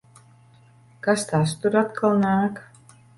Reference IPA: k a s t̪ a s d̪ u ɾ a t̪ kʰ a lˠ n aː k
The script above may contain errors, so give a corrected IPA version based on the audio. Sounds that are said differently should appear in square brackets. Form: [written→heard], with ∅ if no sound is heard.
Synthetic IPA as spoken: k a s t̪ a s [d̪→t̪] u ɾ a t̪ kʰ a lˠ n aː k